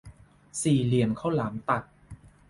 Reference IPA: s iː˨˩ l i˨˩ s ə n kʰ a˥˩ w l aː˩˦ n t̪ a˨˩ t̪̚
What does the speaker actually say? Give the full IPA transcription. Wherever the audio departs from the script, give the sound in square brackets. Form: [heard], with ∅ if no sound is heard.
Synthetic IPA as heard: s iː˨˩ l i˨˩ [∅] ə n kʰ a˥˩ w l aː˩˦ [m] t̪ a˨˩ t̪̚